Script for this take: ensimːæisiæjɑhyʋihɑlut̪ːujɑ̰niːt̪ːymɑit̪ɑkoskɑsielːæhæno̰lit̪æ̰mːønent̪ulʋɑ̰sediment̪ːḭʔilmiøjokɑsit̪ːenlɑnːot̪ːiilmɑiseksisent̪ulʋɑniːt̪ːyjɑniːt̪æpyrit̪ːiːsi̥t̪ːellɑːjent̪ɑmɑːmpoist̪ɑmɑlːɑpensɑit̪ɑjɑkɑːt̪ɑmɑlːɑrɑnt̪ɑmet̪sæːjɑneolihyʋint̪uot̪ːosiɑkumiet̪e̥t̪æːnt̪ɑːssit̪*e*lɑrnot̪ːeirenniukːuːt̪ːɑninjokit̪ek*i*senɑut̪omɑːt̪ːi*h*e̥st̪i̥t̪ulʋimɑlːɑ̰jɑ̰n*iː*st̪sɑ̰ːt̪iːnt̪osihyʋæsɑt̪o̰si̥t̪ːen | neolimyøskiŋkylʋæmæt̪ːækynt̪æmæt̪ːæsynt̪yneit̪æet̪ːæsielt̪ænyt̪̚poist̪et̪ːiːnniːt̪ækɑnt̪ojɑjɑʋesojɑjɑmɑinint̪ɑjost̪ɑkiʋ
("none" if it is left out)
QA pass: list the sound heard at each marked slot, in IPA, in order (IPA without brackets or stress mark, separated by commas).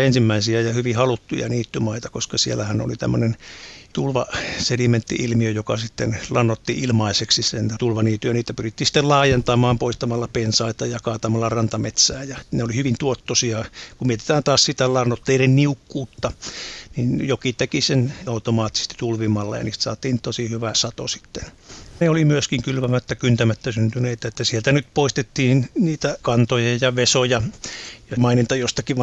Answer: æ, i, s, iː